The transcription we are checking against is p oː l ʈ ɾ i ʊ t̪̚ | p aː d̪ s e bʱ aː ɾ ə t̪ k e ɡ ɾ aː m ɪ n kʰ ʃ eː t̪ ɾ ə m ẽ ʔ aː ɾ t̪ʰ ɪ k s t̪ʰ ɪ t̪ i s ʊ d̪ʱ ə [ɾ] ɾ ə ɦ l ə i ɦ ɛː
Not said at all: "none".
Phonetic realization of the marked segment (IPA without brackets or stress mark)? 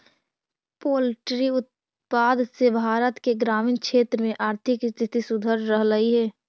ɾ